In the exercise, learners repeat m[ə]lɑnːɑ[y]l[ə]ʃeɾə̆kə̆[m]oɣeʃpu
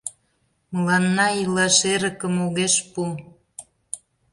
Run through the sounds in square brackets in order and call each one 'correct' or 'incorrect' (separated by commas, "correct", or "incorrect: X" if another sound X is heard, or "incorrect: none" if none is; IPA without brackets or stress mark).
correct, incorrect: i, incorrect: ɑ, correct